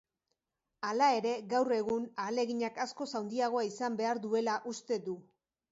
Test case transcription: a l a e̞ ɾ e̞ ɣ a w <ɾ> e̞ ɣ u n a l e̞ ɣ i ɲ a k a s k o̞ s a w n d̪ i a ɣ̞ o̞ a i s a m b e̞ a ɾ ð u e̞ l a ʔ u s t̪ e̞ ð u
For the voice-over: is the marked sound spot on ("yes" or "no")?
no